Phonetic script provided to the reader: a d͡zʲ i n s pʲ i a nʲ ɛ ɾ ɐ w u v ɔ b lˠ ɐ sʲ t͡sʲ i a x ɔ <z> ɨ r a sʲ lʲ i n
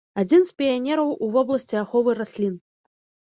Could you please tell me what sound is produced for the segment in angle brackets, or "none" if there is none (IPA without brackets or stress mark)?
v